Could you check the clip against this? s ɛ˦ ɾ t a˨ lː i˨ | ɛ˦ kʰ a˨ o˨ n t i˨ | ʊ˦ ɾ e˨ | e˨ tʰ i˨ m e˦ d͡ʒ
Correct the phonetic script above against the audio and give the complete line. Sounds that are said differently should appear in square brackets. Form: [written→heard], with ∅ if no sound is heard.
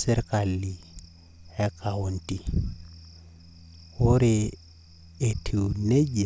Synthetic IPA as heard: s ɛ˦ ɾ [t→k] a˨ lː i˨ | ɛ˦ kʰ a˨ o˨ n t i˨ | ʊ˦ ɾ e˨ | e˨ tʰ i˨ [m→n] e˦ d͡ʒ